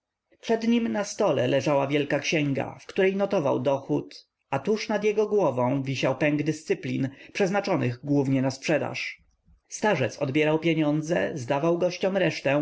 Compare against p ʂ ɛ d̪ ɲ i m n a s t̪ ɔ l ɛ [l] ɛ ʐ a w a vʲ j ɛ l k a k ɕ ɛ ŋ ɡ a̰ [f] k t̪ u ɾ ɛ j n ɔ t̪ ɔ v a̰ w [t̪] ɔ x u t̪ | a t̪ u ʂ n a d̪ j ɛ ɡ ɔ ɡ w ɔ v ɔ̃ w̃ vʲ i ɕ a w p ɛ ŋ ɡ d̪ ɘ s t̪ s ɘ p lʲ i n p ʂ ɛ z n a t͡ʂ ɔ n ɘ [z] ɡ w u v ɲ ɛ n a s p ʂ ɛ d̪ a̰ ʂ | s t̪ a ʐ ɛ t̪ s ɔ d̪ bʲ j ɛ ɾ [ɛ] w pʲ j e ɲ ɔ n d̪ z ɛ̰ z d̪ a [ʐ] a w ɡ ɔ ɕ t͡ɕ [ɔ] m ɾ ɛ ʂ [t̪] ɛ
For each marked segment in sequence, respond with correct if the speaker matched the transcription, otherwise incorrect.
correct, correct, incorrect: d̪, incorrect: ɣ, incorrect: a, incorrect: v, correct, correct

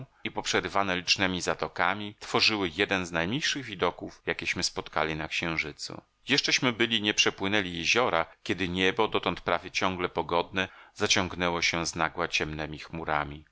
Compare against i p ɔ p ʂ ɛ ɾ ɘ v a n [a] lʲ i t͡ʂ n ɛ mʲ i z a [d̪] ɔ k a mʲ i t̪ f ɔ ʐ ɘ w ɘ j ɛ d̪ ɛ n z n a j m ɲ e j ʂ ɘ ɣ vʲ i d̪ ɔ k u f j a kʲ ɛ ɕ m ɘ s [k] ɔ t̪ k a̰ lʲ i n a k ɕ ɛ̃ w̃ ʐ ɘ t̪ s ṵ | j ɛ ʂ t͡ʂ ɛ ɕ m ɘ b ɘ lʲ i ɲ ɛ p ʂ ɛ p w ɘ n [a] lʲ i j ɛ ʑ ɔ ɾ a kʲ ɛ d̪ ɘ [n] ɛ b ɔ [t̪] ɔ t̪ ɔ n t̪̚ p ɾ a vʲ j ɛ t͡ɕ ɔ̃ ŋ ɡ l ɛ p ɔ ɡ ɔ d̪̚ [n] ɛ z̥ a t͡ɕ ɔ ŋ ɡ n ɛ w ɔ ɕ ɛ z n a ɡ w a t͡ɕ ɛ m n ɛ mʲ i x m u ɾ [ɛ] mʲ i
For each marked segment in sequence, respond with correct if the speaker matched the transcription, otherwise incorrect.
incorrect: ɛ, incorrect: t̪, incorrect: p, incorrect: ɛ, incorrect: ɲ, incorrect: d̪, correct, incorrect: a

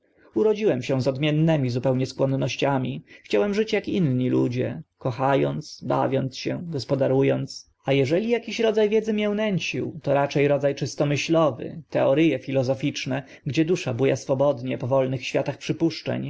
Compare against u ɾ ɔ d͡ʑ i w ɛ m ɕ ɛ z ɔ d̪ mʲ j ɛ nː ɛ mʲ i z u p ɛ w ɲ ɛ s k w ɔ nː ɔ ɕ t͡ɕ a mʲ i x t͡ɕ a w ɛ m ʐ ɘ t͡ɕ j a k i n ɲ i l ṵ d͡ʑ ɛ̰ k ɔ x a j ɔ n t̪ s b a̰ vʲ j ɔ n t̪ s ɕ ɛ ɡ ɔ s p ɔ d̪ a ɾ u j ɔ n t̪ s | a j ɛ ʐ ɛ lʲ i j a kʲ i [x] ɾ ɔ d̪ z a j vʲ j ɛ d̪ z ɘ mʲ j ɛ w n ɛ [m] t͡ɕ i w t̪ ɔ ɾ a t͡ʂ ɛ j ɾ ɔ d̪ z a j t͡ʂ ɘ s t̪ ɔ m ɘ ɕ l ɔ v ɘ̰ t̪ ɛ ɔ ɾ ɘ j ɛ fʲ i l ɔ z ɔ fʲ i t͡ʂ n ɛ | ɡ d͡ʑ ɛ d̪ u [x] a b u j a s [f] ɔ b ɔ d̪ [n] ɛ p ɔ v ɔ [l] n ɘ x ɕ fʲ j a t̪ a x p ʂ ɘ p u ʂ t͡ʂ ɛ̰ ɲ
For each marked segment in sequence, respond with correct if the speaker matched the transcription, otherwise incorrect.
incorrect: ɕ, incorrect: ɲ, incorrect: ʂ, correct, incorrect: ɲ, correct

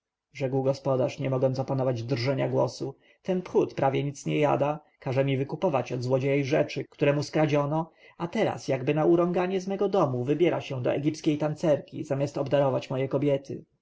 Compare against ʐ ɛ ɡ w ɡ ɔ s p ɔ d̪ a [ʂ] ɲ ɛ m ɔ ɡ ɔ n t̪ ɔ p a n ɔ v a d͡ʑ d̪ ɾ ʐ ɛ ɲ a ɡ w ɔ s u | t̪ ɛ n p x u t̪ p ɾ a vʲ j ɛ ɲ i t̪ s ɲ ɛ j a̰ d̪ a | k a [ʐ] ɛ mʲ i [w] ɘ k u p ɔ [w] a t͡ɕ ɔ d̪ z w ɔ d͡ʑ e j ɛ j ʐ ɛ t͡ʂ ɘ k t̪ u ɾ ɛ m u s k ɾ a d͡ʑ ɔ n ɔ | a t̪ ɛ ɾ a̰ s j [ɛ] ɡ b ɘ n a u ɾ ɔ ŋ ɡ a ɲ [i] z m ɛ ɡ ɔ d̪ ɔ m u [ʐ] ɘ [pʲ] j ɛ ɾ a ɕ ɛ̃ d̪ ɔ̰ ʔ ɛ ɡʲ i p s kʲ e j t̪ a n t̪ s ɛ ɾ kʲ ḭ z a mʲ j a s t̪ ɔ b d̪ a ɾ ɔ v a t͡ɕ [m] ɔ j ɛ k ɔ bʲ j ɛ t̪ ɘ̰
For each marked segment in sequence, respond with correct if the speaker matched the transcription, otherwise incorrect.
correct, correct, incorrect: v, incorrect: v, incorrect: a, incorrect: ɛ, incorrect: v, incorrect: bʲ, correct

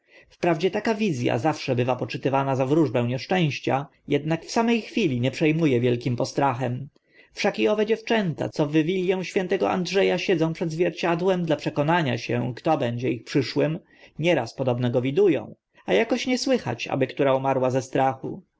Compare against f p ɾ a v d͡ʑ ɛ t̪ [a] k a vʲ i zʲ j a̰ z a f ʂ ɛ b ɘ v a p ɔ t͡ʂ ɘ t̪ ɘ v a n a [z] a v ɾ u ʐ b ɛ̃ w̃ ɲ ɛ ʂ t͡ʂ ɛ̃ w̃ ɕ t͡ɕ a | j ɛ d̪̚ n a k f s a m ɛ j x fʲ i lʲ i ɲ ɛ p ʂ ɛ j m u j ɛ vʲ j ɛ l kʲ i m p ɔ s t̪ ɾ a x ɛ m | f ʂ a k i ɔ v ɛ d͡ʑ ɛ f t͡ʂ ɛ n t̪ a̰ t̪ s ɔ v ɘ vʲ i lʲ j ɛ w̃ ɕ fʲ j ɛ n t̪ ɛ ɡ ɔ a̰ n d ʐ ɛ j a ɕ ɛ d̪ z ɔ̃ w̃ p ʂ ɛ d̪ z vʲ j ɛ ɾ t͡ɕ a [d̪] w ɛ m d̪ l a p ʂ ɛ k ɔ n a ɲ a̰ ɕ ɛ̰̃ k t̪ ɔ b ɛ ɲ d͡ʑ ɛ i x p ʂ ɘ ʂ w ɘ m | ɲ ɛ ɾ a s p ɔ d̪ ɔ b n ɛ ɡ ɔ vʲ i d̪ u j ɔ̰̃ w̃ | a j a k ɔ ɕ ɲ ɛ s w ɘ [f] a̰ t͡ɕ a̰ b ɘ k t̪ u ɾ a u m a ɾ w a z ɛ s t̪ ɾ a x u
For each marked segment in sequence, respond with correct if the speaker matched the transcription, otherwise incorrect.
correct, correct, correct, incorrect: x

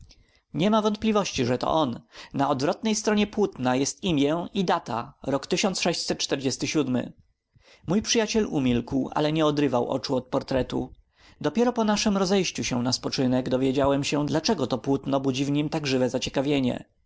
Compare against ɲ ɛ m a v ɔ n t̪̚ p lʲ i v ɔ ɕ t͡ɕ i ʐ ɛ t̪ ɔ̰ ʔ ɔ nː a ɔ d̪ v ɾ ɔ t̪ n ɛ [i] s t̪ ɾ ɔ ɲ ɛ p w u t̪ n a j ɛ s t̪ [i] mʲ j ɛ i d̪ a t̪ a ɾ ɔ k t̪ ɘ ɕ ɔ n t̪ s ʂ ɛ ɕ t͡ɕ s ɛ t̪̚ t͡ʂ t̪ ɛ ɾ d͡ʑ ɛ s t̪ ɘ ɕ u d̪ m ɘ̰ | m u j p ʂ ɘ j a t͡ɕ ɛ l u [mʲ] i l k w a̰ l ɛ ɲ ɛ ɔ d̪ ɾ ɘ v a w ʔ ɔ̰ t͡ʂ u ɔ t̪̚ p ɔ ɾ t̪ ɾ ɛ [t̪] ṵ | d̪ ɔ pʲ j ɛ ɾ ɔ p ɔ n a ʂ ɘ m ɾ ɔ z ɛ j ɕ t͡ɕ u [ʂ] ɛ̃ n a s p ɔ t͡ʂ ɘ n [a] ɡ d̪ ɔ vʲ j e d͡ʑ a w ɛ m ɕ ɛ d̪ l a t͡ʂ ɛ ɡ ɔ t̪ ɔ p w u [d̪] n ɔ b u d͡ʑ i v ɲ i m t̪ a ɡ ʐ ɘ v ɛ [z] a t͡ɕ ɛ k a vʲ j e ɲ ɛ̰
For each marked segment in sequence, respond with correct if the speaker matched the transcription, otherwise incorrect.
incorrect: j, correct, correct, correct, incorrect: ɕ, incorrect: ɛ, incorrect: t̪, correct

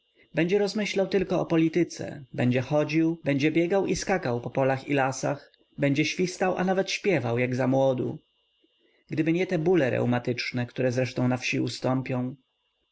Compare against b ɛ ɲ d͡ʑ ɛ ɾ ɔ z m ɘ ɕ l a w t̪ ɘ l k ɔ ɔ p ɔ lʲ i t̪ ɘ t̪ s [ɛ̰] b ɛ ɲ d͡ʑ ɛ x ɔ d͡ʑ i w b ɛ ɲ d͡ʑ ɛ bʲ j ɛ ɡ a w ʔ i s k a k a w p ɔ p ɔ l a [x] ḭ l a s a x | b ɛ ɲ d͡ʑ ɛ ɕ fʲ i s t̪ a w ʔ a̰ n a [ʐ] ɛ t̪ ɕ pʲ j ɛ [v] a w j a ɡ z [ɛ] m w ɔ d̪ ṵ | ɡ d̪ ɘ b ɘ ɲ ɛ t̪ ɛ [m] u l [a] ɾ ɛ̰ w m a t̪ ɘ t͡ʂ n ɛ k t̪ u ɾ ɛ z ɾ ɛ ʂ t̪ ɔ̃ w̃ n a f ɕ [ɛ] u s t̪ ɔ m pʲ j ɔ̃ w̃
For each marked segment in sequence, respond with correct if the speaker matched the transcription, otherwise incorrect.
correct, correct, incorrect: v, correct, incorrect: a, incorrect: b, incorrect: ɛ, incorrect: i

